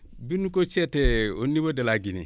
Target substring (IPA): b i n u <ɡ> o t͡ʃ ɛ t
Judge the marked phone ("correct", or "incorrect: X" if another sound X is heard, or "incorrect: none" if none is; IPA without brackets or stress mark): incorrect: k